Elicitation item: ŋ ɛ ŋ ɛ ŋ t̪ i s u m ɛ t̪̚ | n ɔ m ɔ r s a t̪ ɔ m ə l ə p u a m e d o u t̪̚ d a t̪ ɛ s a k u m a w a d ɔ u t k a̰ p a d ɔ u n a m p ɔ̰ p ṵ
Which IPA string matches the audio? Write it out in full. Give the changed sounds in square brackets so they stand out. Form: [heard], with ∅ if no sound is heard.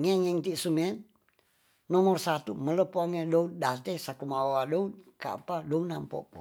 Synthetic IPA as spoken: ŋ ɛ ŋ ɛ ŋ t̪ i s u m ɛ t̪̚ | n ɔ m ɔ r s a t̪ [u] m ə l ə p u a [ŋ] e d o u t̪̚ d a t̪ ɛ s a k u m a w a d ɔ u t k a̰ p a d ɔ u n a m p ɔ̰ p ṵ